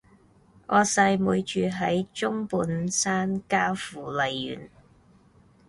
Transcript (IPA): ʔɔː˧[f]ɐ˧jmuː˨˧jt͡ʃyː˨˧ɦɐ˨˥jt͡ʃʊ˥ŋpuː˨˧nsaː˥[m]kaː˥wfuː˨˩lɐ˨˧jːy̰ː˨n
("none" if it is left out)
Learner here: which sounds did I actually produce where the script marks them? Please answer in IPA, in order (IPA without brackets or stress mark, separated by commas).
s, n